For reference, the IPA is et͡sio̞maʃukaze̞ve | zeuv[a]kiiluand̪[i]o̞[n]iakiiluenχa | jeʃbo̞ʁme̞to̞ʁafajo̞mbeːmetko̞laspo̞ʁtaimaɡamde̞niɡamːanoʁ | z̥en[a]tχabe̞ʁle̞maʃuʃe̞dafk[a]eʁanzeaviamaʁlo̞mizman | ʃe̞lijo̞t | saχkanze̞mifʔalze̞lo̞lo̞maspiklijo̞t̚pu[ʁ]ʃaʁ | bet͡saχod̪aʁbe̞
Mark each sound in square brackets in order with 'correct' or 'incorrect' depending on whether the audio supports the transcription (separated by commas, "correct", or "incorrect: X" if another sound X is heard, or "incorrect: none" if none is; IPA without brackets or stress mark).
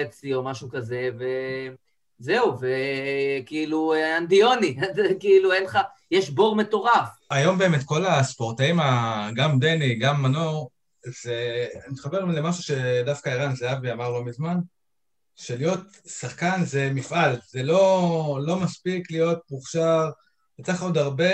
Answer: incorrect: e, correct, correct, incorrect: i, correct, incorrect: χ